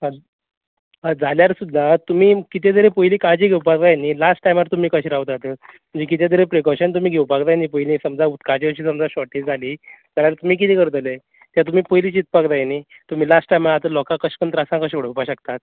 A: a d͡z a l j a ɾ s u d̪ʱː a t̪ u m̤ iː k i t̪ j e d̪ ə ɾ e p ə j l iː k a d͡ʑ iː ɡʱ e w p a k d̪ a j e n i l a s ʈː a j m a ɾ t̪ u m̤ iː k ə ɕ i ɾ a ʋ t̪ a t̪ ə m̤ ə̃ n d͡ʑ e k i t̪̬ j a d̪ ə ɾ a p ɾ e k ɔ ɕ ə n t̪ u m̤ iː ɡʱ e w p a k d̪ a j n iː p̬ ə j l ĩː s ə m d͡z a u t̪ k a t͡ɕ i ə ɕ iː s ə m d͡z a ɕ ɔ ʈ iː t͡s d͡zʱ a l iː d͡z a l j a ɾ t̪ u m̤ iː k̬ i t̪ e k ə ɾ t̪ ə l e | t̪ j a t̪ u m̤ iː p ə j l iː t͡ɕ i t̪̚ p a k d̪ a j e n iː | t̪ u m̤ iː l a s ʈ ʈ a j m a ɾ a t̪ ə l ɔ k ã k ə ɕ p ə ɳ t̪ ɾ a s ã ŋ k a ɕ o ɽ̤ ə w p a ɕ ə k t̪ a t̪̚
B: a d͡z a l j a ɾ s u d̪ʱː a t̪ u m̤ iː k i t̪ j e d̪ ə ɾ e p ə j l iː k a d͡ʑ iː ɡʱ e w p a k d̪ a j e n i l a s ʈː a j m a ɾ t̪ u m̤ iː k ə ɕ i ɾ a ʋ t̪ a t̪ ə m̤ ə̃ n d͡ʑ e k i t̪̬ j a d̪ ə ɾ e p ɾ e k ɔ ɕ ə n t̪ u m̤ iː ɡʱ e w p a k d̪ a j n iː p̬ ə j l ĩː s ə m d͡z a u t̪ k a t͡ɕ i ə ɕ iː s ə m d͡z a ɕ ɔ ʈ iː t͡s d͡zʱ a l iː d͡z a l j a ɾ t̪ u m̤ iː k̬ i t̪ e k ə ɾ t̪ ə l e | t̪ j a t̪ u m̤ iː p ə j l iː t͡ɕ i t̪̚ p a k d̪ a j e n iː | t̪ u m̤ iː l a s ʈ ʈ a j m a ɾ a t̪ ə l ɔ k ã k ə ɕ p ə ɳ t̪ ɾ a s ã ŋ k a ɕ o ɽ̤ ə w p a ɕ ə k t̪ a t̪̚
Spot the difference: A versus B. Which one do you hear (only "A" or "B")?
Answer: B